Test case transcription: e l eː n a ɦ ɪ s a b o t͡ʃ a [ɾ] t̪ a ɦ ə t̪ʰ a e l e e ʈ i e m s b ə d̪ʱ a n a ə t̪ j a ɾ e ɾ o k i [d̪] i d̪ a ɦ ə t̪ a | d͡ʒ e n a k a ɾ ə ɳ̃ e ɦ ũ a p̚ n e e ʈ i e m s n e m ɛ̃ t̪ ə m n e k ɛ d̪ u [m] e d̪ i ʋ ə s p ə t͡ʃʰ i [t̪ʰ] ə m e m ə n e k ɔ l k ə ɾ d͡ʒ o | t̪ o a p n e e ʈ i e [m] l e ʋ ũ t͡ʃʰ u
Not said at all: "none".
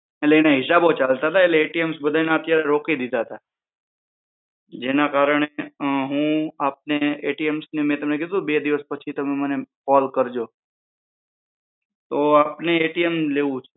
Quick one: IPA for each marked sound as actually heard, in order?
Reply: l, d̪, b, t̪, m

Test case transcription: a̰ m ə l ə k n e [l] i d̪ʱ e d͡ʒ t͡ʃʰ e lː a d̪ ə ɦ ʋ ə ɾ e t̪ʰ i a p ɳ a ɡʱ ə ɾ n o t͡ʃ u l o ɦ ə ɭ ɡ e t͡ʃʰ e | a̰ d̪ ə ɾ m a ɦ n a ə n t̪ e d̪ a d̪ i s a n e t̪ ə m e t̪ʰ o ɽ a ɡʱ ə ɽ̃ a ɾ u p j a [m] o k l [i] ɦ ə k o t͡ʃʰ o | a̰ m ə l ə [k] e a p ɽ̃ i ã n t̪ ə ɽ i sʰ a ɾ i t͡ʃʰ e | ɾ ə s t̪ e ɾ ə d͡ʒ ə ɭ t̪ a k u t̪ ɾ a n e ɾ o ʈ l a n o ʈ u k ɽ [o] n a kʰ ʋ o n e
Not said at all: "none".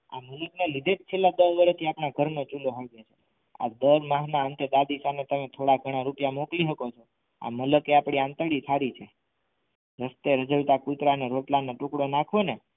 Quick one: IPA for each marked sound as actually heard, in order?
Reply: l, m, i, k, o

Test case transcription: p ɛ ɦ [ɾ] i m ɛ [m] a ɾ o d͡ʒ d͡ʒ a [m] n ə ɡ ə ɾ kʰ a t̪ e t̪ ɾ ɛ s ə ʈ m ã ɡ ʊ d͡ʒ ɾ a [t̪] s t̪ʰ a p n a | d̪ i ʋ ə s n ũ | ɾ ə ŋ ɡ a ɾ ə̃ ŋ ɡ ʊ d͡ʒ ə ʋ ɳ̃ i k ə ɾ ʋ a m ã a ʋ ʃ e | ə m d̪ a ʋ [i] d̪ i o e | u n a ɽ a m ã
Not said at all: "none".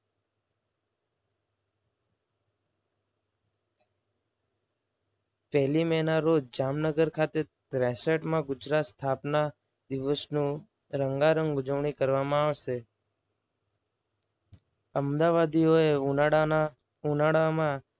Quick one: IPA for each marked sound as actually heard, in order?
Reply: l, n, m, t̪, a

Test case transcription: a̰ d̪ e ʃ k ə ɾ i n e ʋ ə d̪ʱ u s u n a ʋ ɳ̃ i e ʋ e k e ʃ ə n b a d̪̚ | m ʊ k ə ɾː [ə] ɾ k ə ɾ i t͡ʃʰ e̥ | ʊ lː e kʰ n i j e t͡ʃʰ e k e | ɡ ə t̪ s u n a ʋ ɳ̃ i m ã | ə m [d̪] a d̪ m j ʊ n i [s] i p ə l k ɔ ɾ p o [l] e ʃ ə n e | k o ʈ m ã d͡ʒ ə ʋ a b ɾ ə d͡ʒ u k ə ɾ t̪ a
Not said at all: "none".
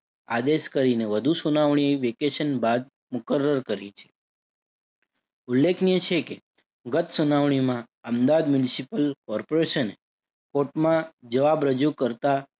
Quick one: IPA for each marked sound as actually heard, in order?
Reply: ə, d̪, s, ɾ

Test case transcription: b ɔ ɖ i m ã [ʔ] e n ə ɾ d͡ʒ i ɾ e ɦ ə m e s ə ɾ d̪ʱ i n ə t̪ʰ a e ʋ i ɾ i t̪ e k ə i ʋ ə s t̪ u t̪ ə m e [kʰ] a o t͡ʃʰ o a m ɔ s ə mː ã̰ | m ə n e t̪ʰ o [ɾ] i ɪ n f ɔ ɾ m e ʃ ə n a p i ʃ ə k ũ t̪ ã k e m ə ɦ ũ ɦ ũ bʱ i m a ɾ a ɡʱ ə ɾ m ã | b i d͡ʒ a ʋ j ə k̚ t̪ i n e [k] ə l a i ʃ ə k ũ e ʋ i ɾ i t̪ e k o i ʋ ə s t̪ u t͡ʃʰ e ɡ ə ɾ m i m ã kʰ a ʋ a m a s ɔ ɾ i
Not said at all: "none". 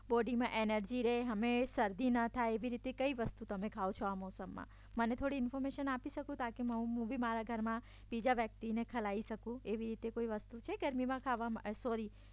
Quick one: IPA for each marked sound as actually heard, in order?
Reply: ʔ, kʰ, ɽ, kʰ

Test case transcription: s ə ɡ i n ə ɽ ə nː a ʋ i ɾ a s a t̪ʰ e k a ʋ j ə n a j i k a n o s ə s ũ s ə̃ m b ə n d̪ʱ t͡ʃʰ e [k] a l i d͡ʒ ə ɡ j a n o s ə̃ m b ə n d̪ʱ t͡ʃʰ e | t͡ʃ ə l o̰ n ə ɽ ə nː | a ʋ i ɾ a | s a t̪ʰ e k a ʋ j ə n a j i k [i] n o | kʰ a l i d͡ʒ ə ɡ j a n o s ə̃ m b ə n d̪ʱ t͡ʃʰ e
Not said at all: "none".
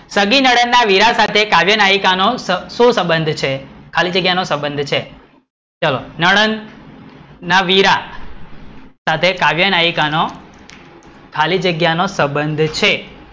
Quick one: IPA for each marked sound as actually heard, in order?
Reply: kʰ, a

